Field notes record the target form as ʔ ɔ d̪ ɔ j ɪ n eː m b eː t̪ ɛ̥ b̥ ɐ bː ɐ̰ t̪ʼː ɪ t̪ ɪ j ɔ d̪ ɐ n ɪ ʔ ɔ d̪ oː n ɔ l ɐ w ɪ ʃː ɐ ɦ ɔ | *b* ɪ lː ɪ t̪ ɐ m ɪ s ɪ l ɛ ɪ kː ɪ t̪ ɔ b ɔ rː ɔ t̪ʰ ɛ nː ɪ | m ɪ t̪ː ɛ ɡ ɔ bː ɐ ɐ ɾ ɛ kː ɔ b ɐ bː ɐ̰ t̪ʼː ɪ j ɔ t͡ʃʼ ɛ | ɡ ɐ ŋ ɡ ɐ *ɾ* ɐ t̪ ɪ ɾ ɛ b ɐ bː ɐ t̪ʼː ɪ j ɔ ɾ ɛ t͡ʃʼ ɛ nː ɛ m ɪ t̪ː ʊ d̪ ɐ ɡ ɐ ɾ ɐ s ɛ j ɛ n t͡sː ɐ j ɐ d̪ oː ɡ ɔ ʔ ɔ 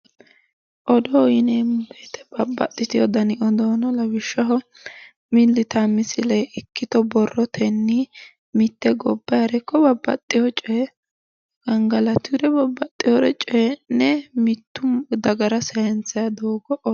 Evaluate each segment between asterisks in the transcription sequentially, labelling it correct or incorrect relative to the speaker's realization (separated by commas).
incorrect, incorrect